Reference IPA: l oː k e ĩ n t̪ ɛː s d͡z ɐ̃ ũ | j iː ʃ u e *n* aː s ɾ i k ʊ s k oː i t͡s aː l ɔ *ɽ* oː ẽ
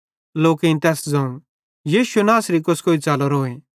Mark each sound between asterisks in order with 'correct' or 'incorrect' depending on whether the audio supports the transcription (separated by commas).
correct, incorrect